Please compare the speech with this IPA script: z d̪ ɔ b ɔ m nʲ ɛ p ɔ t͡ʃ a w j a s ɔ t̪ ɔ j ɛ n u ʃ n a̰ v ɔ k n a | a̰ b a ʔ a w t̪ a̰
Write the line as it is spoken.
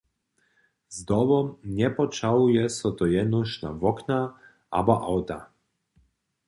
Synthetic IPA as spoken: z d̪ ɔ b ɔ m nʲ ɛ p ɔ t͡ʃ a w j ɛ s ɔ t̪ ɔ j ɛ n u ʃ n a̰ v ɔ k n a | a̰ b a ʔ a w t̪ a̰

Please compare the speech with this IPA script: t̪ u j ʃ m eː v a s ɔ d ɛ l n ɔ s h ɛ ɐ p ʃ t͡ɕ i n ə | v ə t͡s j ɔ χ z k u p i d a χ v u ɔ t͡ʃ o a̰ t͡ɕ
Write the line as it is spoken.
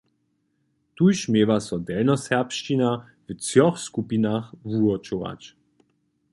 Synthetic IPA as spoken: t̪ u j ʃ m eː v a s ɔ d ɛ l n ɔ s h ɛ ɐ p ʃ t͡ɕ i n a | v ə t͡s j ɔ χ s k u p i n a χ v u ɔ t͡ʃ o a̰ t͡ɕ

